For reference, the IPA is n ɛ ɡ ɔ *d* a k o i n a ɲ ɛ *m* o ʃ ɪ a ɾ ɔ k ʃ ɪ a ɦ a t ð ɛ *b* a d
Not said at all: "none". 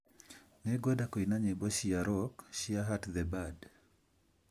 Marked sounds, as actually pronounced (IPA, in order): d, b, b

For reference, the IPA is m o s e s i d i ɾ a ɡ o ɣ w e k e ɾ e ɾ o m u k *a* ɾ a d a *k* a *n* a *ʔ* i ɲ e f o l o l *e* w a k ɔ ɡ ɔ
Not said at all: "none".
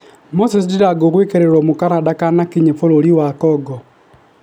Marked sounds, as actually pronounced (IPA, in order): a, k, n, k, i

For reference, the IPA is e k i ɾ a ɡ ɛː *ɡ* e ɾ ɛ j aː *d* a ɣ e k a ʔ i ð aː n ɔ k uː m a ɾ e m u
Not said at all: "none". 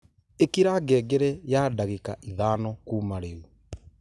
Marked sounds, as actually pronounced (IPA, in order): ɡ, d

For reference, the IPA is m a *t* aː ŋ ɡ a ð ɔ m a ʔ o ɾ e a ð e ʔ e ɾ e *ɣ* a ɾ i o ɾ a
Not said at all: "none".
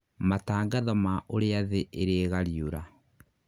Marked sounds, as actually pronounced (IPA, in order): t, ɣ

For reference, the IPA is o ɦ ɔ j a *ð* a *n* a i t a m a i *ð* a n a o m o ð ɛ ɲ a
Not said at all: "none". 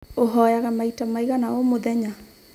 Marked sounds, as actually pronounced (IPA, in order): ɣ, m, ɣ

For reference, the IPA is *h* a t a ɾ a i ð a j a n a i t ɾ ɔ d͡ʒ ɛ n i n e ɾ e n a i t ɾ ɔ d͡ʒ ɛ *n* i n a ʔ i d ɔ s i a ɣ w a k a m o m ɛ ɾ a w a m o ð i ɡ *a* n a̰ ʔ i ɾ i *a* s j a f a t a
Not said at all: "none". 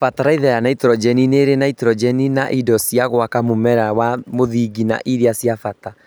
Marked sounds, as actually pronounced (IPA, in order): f, n, i, a

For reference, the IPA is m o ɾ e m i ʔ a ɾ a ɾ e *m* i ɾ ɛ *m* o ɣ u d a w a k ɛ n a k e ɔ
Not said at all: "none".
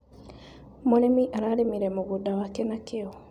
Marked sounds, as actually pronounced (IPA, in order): m, m

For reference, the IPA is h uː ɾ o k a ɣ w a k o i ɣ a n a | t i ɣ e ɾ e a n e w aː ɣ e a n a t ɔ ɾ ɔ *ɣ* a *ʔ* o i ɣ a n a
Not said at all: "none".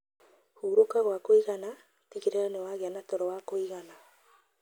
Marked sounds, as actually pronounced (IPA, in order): w, k

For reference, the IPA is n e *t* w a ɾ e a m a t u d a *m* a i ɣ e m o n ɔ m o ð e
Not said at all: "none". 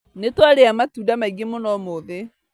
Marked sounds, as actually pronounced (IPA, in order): t, m

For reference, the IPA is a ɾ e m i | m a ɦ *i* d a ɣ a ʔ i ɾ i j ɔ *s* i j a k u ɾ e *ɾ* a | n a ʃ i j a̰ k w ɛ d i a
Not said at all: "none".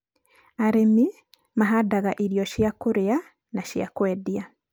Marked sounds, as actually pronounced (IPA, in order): a, ʃ, none

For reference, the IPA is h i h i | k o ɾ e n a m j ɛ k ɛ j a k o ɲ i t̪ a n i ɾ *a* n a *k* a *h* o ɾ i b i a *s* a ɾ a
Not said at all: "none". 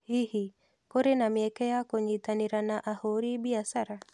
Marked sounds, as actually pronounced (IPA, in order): a, ʔ, h, s

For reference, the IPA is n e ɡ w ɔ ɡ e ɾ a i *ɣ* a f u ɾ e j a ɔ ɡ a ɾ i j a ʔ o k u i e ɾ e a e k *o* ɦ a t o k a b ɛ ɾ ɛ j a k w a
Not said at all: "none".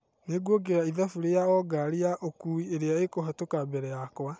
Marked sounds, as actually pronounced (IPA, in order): ð, o

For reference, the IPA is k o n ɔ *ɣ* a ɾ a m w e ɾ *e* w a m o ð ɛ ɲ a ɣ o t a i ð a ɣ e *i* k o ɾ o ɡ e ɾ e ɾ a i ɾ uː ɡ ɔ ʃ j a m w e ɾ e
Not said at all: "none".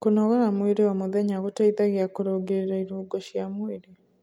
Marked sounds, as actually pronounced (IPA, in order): ɣ, e, a

